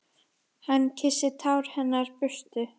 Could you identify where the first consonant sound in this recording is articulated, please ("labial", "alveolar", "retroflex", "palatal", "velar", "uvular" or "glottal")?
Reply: glottal